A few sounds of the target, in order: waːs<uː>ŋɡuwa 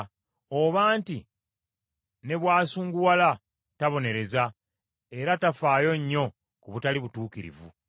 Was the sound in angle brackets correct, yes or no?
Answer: yes